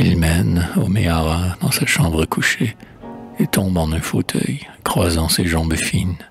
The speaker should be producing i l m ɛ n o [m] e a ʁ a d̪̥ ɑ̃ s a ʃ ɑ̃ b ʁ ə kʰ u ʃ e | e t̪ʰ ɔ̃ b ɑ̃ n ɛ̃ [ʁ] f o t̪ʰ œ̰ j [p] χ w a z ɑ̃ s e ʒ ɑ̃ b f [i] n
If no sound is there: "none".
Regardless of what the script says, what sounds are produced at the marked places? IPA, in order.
m, none, k, i

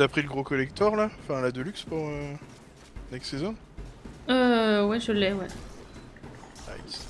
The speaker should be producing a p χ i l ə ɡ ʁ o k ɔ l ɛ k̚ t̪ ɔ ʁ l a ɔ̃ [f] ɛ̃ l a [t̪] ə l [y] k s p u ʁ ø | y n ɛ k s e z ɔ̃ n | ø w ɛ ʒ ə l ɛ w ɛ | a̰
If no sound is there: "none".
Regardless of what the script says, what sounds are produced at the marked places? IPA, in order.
f, d̪, y

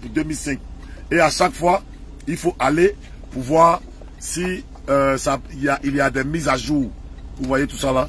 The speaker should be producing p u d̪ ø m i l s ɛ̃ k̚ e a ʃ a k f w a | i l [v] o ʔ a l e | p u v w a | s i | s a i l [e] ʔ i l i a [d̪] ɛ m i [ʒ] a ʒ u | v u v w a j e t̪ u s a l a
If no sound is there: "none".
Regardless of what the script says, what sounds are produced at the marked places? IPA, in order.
f, a, d̪, z

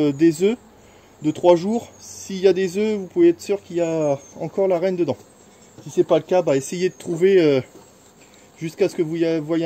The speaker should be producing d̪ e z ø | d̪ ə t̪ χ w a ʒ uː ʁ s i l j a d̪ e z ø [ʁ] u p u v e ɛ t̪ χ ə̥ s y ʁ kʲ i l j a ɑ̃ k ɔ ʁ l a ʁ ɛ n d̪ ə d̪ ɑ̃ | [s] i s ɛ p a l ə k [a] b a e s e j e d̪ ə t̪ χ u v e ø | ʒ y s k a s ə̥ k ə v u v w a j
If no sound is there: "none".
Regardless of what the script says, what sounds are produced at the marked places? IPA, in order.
v, s, a

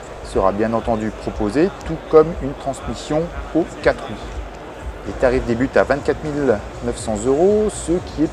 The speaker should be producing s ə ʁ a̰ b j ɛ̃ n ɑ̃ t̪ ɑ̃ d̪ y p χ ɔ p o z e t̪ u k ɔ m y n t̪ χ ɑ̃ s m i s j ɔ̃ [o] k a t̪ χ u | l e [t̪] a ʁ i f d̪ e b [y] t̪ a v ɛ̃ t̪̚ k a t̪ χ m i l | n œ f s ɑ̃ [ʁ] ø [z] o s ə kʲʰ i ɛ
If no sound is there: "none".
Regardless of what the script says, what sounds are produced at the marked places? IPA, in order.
o, t̪, y, z, ʁ

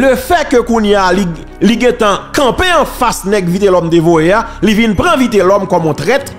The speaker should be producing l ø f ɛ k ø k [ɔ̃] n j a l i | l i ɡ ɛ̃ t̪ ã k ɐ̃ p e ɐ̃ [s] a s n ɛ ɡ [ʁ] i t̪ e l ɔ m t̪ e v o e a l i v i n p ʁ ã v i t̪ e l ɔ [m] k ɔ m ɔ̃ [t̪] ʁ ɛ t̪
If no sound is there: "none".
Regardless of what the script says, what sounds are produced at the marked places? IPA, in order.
ũ, f, v, m, t̪

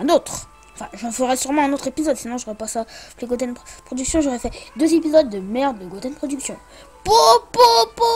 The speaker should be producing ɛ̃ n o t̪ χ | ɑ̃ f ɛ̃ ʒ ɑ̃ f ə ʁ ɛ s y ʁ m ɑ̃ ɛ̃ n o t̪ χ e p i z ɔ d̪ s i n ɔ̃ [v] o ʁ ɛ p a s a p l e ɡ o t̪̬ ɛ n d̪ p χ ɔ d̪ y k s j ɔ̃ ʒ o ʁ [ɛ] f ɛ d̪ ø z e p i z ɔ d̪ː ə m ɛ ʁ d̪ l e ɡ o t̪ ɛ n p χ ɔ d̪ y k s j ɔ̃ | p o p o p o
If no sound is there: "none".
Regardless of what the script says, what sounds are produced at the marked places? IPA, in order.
ʒ, ɛ

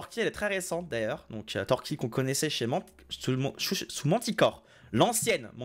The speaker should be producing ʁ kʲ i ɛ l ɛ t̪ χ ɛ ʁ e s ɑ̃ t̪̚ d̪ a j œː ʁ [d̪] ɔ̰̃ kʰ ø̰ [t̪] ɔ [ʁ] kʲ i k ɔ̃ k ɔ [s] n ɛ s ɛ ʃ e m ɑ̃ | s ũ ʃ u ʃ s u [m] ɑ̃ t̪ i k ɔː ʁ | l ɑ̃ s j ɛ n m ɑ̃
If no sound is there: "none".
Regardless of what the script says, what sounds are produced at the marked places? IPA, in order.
d̪, t̪, ʁ, none, m

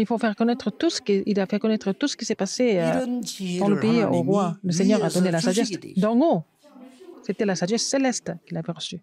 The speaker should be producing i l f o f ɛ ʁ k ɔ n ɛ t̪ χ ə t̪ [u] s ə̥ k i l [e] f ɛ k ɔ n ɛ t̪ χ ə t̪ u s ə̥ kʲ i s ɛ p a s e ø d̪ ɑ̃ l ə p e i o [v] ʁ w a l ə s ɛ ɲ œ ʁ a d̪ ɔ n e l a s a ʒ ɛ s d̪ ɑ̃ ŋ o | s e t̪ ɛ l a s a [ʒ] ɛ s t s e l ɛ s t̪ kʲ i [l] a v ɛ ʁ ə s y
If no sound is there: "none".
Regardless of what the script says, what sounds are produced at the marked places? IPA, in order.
u, a, none, ʒ, l

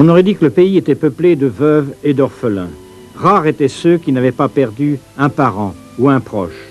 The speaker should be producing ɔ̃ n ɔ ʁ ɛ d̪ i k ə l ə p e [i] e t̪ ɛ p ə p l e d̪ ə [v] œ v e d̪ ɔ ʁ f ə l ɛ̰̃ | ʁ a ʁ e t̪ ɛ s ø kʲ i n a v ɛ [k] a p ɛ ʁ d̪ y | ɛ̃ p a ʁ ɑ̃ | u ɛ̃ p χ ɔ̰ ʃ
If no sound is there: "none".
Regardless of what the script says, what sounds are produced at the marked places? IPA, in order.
i, v, p

